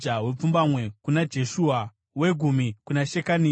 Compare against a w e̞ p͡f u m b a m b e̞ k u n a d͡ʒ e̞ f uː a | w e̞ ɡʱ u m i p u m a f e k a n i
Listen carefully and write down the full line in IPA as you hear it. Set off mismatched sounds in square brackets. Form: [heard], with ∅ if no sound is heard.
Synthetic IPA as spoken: a w e̞ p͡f u m b a m [w] e̞ k u n a d͡ʒ e̞ [ʃ] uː a | w e̞ ɡʱ u m i [k] u [n] a [ʃ] e k a n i